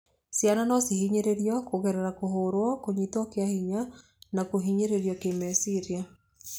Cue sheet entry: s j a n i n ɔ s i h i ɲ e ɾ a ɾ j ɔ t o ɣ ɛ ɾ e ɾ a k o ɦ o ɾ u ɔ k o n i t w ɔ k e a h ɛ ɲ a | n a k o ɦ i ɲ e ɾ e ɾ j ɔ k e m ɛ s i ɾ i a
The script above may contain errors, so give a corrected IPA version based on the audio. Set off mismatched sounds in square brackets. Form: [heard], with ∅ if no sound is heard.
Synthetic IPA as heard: s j a n [a] n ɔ s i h i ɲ e ɾ [e] ɾ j ɔ [k] o ɣ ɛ ɾ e ɾ a k o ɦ o ɾ [w] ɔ k o [ɲ] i t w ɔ k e a h [i] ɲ a | n a k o ɦ i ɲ e ɾ e ɾ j ɔ k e m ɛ s i ɾ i a